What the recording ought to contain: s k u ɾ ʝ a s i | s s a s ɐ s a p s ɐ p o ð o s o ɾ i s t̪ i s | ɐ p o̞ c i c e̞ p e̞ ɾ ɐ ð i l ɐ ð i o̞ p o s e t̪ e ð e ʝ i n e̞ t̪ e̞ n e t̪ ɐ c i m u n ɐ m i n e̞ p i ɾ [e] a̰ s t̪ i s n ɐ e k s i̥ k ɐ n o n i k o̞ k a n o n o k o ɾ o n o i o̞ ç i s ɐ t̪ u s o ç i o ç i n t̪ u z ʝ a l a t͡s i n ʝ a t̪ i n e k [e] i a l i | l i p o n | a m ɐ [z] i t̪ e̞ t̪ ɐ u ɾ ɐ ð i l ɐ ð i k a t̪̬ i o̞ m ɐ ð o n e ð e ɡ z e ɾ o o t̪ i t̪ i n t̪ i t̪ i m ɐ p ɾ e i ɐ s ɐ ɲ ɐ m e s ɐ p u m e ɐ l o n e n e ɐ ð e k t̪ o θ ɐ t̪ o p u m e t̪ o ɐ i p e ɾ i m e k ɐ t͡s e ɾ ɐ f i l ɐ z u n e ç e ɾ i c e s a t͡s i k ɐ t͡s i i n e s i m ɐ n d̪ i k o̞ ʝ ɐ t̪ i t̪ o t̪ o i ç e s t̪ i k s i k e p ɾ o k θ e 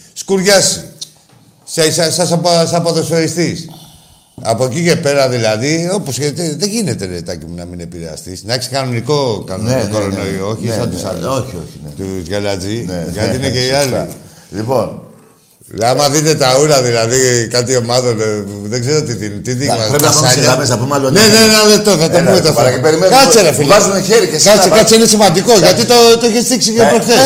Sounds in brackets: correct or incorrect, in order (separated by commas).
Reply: correct, correct, incorrect